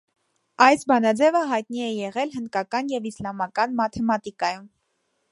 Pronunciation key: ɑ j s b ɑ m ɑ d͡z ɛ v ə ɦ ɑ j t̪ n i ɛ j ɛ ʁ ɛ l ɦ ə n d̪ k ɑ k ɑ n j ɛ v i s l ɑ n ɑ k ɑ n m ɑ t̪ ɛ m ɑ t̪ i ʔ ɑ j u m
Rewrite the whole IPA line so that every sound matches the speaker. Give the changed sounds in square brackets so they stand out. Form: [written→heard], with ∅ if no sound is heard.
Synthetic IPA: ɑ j s b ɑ [m→n] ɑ d͡z ɛ v ə ɦ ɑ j t̪ n i ɛ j ɛ ʁ ɛ l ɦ ə n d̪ k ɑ k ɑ n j ɛ v i s l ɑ [n→m] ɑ k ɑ n m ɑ [t̪→t̪ʰ] ɛ m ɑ t̪ i [ʔ→k] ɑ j u m